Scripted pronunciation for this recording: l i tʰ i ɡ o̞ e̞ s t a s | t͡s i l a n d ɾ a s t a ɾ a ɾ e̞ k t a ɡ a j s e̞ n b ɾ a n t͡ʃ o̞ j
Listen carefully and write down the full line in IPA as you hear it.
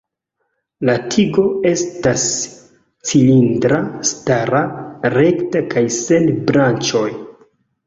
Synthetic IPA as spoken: l a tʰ i ɡ o̞ e̞ s t a s | t͡s i l i n d ɾ a s t a ɾ a ɾ e̞ k t a k a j s e̞ n b ɾ a n t͡ʃ o̞ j

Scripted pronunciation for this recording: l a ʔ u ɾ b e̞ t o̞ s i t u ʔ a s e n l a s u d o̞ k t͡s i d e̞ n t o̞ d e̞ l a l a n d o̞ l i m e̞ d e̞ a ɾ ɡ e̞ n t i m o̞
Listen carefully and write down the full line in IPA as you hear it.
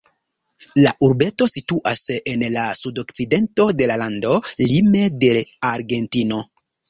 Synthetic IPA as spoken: l a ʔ u ɾ b e̞ t o̞ s i t u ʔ a s e n l a s u d o̞ k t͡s i d e̞ n t o̞ d e̞ l a l a n d o̞ l i m e̞ d e̞ a ɾ ɡ e̞ n t i n o̞

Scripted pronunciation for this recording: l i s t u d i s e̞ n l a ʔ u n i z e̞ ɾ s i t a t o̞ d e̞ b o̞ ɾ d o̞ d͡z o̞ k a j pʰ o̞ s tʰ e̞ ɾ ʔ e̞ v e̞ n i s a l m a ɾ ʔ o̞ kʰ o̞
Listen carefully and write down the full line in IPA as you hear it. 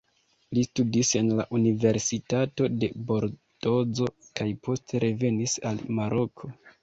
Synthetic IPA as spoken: l i s t u d i s e̞ n l a ʔ u n i v e̞ ɾ s i t a t o̞ d e̞ b o̞ ɾ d o̞ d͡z o̞ k a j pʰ o̞ s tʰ e̞ ɾ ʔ e̞ v e̞ n i s a l m a ɾ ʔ o̞ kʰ o̞

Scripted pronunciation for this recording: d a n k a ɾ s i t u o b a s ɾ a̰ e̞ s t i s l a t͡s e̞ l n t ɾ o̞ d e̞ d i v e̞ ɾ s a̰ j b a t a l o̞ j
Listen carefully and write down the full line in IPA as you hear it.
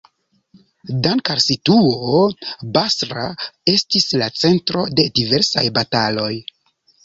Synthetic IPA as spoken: d a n k a ɾ s i t u o b a s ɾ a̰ e̞ s t i s l a t͡s e̞ n t ɾ o̞ d e̞ d i v e̞ ɾ s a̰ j b a t a l o̞ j

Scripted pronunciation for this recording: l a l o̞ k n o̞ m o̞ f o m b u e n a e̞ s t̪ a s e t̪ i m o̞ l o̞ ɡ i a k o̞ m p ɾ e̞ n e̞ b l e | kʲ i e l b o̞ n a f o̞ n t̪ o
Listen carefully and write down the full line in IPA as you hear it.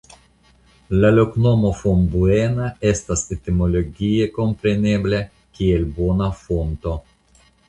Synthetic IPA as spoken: l a l o̞ k n o̞ m o̞ f o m b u e n a e̞ s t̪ a s e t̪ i m o̞ l o̞ ɡ i e k o̞ m p ɾ e̞ n e̞ b l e | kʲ i e l b o̞ n a f o̞ n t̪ o

